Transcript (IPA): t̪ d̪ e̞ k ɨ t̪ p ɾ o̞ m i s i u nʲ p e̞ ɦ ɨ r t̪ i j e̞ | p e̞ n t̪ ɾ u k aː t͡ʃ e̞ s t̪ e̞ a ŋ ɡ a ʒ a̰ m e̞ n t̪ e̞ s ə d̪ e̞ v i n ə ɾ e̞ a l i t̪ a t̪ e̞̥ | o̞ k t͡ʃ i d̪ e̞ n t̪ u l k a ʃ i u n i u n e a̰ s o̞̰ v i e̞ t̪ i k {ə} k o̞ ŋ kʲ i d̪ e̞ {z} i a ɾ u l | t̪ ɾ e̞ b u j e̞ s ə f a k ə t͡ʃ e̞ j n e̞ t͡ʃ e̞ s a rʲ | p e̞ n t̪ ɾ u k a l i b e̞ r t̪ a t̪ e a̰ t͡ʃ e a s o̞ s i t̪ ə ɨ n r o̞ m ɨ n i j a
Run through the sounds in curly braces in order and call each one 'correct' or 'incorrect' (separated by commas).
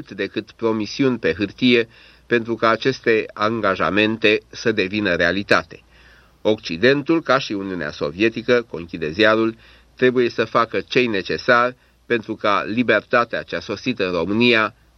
correct, correct